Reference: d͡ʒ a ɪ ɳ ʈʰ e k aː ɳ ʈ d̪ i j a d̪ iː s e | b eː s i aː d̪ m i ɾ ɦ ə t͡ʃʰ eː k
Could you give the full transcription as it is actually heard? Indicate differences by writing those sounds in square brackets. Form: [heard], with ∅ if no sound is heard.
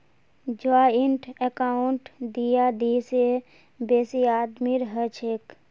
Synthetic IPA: d͡ʒ a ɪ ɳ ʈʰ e k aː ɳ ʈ d̪ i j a d̪ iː s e | b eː s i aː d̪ m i ɾ ɦ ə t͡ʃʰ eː k